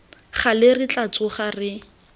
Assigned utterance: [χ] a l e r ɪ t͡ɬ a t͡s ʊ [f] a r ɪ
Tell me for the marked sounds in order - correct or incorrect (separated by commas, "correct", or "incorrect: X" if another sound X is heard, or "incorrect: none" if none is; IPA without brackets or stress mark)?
correct, incorrect: χ